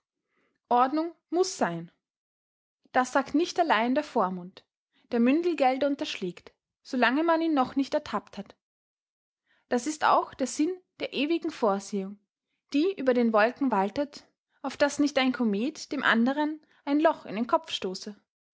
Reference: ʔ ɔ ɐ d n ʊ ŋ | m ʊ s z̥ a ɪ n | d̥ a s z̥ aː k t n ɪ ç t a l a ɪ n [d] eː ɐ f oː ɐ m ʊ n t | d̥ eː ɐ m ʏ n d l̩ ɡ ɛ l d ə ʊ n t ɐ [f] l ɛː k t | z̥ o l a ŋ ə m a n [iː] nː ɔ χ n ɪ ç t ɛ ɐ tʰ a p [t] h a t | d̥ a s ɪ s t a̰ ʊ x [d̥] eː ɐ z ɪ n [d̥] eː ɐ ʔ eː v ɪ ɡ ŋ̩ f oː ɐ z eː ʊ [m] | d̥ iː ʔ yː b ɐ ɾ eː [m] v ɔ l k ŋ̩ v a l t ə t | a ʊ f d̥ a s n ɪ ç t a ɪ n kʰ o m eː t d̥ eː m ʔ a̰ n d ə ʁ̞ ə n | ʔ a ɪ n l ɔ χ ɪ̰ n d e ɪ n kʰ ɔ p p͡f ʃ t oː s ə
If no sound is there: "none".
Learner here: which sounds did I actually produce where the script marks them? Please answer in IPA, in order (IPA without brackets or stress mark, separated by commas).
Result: d, ʃ, iː, t, d̥, d̥, ŋ, n